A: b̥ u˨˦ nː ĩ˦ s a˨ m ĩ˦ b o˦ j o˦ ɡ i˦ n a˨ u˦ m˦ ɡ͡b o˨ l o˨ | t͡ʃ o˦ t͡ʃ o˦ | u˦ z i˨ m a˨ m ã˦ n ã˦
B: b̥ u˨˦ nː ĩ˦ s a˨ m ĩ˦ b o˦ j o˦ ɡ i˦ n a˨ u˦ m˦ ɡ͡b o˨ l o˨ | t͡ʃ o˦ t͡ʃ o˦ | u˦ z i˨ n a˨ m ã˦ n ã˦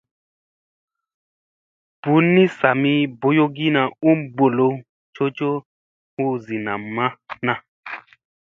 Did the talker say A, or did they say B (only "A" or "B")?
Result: B